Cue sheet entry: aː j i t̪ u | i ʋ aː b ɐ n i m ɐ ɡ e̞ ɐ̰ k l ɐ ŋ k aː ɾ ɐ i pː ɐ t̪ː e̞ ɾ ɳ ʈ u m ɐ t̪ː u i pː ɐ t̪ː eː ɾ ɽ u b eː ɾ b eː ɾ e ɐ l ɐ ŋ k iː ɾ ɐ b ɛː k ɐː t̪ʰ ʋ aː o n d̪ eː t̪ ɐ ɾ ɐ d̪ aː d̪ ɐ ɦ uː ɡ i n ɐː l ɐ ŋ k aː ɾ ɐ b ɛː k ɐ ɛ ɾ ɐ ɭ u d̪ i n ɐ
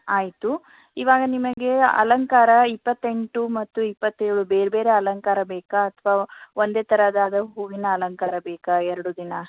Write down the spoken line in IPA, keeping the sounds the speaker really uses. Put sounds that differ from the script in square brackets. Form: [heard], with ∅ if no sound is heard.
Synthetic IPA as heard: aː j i t̪ u | i ʋ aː [ɡ] ɐ n i m ɐ ɡ e̞ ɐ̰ [∅] l ɐ ŋ k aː ɾ ɐ i pː ɐ t̪ː e̞ [∅] ɳ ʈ u m ɐ t̪ː u i pː ɐ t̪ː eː ɾ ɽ u b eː ɾ b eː ɾ e ɐ l ɐ ŋ k [aː] ɾ ɐ b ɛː k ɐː t̪ʰ ʋ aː o n d̪ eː t̪ ɐ ɾ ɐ d̪ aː d̪ ɐ ɦ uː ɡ i n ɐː l ɐ ŋ k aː ɾ ɐ b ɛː k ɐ ɛ ɾ ɐ [ɽ] u d̪ i n ɐ